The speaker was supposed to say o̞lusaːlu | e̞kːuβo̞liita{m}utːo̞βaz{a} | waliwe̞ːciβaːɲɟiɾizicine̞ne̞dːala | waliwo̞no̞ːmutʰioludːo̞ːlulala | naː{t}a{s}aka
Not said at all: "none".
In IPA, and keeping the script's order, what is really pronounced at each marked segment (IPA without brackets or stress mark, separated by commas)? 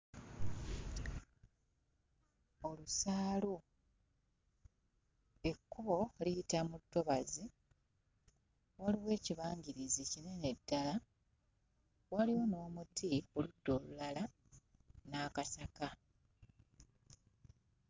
m, i, k, s